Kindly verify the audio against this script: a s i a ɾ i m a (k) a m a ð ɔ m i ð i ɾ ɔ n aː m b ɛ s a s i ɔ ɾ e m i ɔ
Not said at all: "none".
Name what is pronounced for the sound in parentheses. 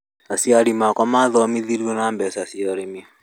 k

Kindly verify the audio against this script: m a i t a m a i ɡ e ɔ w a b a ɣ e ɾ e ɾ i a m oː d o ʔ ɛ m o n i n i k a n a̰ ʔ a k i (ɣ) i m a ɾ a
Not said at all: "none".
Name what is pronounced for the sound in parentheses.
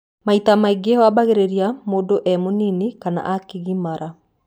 ɣ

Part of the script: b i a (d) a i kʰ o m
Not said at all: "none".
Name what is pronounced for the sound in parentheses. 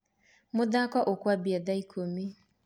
d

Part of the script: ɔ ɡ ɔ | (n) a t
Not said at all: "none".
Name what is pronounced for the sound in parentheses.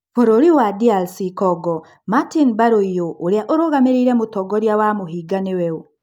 m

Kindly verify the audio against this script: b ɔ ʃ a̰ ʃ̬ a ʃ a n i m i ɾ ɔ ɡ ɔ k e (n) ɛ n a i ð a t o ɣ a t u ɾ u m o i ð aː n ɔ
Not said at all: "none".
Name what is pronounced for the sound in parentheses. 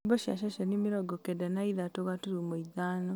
d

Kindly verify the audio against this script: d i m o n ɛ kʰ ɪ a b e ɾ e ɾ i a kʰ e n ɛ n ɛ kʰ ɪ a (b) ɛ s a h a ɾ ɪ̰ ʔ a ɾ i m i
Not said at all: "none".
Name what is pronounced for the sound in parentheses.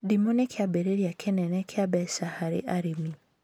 b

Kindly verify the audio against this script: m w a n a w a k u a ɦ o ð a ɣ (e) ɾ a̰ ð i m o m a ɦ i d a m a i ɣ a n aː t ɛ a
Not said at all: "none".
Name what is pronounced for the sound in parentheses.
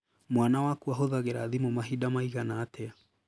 e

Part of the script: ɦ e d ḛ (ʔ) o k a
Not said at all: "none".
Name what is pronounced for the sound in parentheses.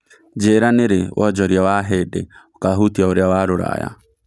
none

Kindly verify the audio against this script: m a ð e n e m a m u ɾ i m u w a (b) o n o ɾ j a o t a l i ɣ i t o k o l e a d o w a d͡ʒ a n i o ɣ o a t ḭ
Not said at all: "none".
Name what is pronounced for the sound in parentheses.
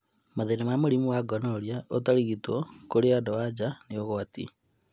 ɡ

